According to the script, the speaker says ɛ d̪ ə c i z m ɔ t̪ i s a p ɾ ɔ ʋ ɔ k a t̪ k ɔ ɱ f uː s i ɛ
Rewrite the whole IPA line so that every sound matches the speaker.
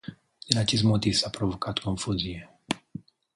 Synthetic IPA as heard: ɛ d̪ a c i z m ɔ t̪ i s a p ɾ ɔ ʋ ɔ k a t̪ k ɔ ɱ f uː z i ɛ